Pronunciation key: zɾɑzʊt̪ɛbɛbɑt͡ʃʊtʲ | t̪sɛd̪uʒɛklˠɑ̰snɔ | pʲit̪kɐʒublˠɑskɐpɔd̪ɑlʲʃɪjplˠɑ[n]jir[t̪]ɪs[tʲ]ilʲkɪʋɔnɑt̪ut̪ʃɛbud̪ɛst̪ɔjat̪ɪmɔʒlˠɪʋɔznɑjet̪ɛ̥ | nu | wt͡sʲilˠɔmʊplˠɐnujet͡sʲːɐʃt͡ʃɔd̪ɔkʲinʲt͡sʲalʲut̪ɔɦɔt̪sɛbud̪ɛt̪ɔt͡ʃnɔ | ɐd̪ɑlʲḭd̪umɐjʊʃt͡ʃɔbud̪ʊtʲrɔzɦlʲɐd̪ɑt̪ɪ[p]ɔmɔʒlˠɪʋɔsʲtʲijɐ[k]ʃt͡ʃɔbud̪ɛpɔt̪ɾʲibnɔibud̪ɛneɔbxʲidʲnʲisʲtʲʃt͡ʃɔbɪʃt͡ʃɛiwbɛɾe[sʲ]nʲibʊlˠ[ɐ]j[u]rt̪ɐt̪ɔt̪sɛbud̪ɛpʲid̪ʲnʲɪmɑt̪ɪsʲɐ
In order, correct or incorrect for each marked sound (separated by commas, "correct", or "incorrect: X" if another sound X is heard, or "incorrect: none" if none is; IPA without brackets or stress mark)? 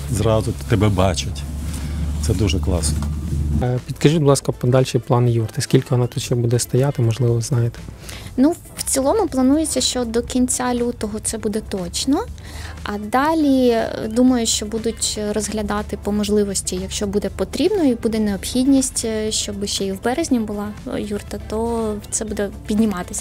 correct, correct, incorrect: kʲ, correct, correct, incorrect: zʲ, incorrect: ɑ, correct